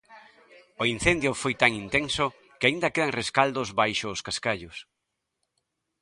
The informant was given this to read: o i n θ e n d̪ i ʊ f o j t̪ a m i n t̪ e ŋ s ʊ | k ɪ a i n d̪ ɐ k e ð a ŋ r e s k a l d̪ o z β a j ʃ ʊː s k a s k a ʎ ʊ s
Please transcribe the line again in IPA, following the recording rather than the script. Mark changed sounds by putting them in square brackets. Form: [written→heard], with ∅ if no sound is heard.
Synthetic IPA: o i n θ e n d̪ [i→j] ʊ f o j t̪ a [m→ŋ] i n t̪ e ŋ s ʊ | k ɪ a i n d̪ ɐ k e ð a ŋ r e s k a l d̪ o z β a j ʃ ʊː s k a s k a ʎ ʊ s